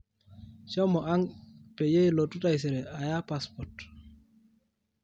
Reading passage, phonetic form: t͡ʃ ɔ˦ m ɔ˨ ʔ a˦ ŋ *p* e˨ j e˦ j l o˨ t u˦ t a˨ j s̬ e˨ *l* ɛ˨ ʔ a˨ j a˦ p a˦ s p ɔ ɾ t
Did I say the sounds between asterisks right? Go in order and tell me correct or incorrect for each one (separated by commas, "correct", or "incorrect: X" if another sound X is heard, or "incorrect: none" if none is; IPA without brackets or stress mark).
correct, incorrect: ɾ